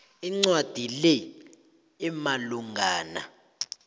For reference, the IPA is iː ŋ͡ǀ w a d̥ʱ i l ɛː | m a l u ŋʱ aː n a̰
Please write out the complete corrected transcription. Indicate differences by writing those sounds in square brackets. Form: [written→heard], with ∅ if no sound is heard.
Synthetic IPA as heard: [iː→i] ŋ͡ǀ w a d̥ʱ i l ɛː | m a l u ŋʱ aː n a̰

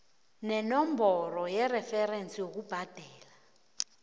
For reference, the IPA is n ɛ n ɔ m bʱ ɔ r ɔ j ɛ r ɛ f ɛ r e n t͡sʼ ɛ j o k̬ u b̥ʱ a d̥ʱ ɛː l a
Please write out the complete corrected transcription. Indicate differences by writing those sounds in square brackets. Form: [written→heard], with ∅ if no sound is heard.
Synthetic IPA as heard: n ɛ n ɔ m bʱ ɔ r ɔ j ɛ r ɛ f ɛ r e n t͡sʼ [ɛ→i] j o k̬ u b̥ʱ a d̥ʱ ɛː l a

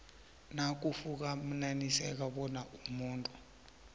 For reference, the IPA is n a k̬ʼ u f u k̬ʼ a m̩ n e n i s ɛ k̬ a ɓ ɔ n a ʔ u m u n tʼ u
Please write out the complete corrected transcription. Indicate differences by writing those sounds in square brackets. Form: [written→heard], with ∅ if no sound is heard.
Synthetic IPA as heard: n a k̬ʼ u f u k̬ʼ a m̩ n [e→a] n i s ɛ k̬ a ɓ ɔ n a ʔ u m [u→uː] n tʼ u

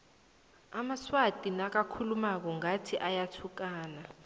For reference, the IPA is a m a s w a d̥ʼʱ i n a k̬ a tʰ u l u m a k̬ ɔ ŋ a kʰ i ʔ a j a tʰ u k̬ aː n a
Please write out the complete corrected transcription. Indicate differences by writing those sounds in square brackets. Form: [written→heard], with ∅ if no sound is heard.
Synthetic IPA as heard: a m a s w a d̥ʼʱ i n a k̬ a [tʰ→kʰ] u l u m a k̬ ɔ ŋ a [kʰ→tʰ] i ʔ a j a tʰ u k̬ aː n a

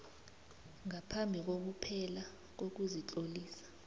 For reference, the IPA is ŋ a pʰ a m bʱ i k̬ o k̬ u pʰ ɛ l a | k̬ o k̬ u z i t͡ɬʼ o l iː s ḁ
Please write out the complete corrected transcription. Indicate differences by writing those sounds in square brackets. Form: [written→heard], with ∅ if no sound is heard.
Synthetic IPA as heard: ŋ a pʰ a m bʱ i k̬ o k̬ u pʰ ɛ l a | k̬ o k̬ u z i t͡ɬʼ o l iː s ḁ

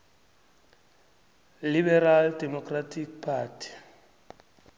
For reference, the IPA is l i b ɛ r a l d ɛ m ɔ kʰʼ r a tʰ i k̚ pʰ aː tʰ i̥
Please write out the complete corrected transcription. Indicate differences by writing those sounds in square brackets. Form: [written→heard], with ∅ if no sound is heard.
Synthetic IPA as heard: l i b ɛ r a l d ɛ m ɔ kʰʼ r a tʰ i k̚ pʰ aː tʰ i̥

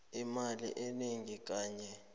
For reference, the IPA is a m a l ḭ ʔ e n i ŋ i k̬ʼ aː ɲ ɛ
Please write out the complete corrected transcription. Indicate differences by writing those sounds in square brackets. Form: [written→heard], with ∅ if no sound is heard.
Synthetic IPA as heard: [a→i] m a l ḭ ʔ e n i ŋ i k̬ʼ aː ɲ ɛ

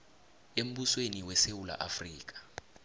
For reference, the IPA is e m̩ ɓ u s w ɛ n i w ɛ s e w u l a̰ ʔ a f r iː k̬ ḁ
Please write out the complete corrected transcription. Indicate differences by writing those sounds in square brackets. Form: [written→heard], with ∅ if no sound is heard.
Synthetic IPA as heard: e m̩ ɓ u s w [ɛ→e] n i w ɛ s e w u l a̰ ʔ a f r iː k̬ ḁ

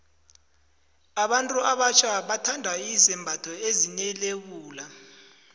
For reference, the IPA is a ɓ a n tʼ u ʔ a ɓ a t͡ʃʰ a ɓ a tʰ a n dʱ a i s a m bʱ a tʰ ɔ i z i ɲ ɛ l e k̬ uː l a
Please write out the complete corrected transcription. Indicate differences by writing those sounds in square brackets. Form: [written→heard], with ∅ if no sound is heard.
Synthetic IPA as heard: a ɓ a n tʼ u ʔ a ɓ a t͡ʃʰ a ɓ a tʰ a n dʱ a i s [a→ɛ] m bʱ a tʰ ɔ [i→e] z i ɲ ɛ l e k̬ uː l a

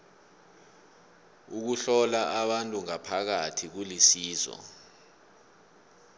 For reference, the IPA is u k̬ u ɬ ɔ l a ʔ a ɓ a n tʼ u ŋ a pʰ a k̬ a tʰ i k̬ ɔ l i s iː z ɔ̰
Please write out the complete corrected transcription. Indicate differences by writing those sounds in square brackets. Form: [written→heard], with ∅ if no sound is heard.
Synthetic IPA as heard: u k̬ u ɬ ɔ l a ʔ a ɓ a n tʼ u ŋ a pʰ a k̬ a tʰ i k̬ [ɔ→u] l i s iː z ɔ̰

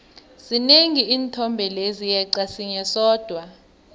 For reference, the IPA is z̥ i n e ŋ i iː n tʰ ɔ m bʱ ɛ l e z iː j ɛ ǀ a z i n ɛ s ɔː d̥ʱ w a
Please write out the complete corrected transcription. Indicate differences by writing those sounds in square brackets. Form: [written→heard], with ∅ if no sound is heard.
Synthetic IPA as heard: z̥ i n e ŋ i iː n tʰ ɔ m bʱ ɛ l e z [iː→i] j ɛ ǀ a [z→s] i [n→ɲ] ɛ s ɔː d̥ʱ w a

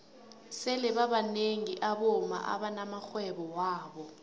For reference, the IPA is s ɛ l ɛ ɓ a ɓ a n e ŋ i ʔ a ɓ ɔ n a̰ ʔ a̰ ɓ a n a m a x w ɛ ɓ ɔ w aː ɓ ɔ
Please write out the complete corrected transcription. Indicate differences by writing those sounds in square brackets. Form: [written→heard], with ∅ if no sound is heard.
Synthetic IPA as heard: s ɛ l ɛ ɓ a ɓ a n e ŋ i ʔ a ɓ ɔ [n→m] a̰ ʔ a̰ ɓ a n a m a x w ɛ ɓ ɔ w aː ɓ ɔ

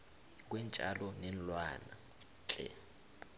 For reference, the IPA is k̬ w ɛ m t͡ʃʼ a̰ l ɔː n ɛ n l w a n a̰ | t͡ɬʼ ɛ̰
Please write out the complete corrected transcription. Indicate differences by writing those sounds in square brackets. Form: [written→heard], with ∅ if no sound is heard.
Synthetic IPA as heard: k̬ w ɛ [m→n] t͡ʃʼ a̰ l [ɔː→ɔ] n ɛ n l w a n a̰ | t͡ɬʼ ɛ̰

